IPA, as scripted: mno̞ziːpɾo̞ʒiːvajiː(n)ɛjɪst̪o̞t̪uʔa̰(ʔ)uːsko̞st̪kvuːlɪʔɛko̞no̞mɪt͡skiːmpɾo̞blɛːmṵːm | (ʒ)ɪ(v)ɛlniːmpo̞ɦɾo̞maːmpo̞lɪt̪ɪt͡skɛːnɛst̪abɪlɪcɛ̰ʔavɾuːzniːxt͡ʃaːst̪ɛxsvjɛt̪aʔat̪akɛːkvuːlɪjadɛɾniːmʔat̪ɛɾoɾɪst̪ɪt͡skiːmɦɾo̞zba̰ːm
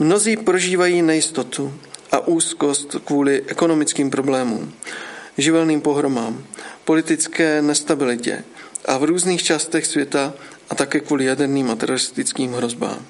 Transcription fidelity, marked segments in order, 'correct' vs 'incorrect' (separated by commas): correct, correct, correct, correct